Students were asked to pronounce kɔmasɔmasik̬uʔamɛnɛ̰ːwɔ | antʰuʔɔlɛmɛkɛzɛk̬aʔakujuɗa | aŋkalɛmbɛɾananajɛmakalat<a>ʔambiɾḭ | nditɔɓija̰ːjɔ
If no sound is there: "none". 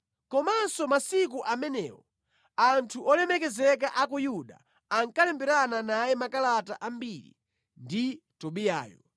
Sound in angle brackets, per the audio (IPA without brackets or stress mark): a